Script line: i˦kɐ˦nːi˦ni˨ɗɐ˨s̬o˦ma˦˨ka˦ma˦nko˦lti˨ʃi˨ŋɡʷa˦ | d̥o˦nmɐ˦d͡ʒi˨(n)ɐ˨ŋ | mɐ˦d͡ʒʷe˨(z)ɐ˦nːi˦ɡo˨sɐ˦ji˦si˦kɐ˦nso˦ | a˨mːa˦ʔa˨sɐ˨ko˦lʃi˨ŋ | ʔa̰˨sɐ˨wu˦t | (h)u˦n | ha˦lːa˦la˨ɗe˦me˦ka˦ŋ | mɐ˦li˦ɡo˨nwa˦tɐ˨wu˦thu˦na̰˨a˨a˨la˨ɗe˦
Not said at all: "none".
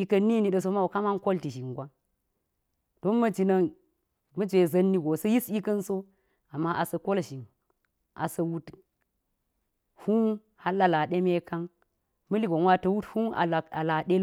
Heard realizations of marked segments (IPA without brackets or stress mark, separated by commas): n, z, h